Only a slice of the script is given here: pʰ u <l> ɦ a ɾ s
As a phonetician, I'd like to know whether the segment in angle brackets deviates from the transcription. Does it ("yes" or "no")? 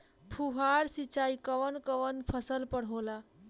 yes